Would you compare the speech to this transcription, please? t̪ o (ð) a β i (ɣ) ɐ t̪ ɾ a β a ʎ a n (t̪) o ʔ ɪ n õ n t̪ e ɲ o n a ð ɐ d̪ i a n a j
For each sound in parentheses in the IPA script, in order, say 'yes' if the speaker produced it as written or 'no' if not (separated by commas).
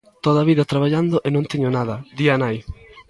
yes, no, no